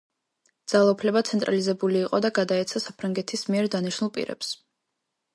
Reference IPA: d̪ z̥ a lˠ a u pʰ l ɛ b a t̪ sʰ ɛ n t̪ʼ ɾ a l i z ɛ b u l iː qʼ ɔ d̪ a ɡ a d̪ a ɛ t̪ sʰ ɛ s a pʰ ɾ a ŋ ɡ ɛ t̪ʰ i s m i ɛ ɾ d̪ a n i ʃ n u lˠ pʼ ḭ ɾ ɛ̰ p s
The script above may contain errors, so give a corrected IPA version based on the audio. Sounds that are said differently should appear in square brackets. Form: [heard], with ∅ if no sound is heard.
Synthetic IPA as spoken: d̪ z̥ a lˠ a u pʰ l ɛ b a t̪ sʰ ɛ n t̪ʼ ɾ a l i z ɛ b u l iː qʼ ɔ d̪ a ɡ a d̪ a ɛ t̪ sʰ [a] s a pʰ ɾ a ŋ ɡ ɛ t̪ʰ i s m i ɛ ɾ d̪ a n i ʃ n u lˠ pʼ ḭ ɾ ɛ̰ p s